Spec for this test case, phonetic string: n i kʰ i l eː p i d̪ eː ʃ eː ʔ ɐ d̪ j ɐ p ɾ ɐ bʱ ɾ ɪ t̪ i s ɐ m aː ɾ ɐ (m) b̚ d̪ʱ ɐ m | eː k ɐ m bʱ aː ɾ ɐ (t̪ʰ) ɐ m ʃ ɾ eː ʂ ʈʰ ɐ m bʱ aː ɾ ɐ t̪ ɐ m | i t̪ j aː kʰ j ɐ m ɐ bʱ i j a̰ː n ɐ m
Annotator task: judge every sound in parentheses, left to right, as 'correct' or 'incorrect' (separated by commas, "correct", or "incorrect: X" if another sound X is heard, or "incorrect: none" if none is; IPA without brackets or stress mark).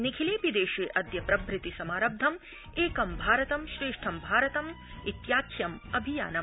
incorrect: none, incorrect: t̪